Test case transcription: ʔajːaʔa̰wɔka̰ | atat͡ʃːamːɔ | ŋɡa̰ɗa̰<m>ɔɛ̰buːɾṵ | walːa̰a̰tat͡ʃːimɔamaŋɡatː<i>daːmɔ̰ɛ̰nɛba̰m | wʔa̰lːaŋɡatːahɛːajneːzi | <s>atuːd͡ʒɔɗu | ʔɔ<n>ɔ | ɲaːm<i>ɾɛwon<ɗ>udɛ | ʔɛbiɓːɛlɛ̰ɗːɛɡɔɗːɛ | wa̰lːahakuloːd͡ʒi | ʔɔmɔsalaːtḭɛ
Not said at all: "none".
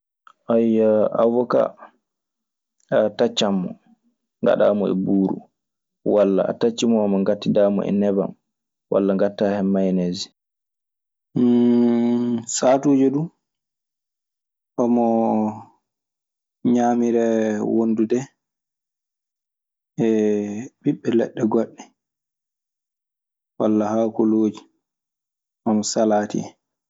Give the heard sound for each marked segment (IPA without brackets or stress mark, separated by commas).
m, i, s, m, i, d